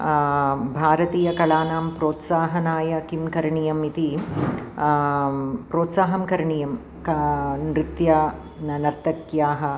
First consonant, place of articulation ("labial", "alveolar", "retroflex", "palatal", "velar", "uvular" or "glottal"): labial